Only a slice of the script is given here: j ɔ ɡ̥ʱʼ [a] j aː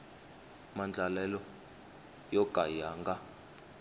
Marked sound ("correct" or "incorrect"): correct